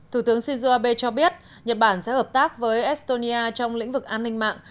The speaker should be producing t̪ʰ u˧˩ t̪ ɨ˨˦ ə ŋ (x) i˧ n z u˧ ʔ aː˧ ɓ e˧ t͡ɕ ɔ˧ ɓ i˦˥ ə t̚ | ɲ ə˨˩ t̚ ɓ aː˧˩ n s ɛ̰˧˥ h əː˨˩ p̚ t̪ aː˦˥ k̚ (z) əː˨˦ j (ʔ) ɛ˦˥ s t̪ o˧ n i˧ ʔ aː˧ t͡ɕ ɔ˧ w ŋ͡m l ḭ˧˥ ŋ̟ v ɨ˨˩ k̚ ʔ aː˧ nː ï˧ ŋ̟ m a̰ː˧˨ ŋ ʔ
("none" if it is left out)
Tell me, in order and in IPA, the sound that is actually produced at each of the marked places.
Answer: s, v, ʔ

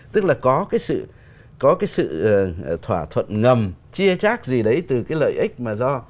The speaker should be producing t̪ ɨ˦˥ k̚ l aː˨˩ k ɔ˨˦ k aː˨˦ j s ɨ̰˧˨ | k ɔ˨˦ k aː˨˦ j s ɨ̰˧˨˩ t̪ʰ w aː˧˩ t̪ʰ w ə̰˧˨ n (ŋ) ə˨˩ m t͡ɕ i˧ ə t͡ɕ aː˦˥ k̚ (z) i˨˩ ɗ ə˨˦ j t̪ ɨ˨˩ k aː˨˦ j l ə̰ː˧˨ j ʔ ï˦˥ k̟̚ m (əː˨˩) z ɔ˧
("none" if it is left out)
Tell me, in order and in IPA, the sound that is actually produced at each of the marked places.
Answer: ŋ, z, aː˨˩

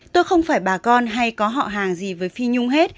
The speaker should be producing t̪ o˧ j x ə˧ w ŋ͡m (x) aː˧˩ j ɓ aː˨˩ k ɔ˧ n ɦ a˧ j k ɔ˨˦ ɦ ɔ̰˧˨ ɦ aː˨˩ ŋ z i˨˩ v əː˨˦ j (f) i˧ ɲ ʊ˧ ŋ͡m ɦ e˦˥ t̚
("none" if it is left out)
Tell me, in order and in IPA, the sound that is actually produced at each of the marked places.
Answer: f, f

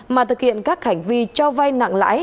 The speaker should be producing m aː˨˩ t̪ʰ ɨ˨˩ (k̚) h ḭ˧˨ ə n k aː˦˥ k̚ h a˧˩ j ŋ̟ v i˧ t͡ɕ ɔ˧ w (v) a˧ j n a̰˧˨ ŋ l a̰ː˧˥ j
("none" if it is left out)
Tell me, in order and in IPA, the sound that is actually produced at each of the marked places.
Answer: k̚, v

